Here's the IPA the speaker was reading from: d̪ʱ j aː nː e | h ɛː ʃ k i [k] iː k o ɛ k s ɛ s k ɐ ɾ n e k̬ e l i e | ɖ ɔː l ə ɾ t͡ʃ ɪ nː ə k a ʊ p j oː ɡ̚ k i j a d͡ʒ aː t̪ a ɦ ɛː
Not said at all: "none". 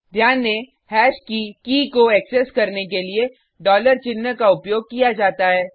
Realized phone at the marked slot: k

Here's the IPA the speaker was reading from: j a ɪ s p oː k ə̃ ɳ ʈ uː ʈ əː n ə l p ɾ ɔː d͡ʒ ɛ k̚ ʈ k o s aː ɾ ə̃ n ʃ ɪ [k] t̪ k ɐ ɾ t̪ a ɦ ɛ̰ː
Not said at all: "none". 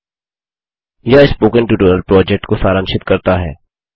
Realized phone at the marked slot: none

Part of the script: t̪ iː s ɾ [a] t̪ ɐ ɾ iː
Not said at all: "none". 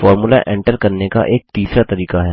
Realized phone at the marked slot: a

